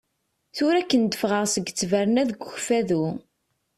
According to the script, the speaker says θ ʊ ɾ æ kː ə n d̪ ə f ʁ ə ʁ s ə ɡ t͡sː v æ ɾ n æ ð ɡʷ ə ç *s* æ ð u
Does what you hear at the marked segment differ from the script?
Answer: yes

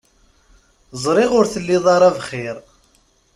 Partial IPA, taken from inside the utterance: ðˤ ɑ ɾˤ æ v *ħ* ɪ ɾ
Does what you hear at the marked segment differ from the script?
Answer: yes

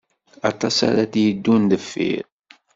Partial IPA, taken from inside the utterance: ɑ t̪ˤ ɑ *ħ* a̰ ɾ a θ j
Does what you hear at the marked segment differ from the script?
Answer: yes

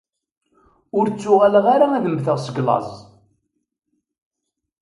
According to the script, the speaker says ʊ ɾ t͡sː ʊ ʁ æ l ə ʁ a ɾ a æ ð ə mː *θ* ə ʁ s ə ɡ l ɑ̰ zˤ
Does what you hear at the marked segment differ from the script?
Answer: no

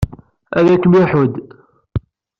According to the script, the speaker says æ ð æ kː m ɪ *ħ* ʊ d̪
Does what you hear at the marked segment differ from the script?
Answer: no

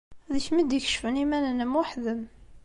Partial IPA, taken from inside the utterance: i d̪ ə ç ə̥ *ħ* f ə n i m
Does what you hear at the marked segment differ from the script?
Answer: yes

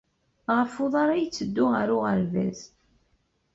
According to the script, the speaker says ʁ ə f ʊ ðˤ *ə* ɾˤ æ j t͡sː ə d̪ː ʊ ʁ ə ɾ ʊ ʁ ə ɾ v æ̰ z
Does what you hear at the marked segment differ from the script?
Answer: yes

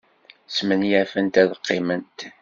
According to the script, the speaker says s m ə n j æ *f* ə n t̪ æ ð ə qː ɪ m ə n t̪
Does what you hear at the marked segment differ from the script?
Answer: no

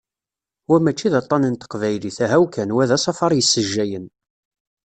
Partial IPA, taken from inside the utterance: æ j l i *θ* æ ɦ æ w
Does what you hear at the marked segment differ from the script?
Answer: no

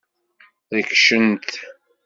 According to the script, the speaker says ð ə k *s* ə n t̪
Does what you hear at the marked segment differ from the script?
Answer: yes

